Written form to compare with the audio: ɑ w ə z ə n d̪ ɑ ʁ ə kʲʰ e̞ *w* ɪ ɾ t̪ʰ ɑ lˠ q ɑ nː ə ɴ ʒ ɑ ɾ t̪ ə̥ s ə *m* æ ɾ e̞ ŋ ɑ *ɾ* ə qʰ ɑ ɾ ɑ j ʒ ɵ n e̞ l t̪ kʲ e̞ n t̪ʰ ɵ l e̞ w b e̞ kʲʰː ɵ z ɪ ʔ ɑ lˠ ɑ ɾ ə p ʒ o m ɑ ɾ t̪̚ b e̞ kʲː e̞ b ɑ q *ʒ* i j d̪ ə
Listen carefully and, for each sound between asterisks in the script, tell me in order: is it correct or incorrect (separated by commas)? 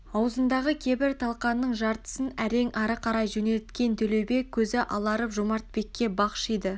incorrect, incorrect, correct, incorrect